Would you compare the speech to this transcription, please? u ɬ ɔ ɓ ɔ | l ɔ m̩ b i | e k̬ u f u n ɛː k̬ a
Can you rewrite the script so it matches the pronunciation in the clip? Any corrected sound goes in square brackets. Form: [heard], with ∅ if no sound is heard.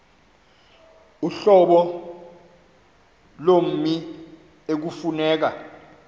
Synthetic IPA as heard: u ɬ ɔ ɓ ɔ | l [o] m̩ [m] i | e k̬ u f u n ɛː k̬ a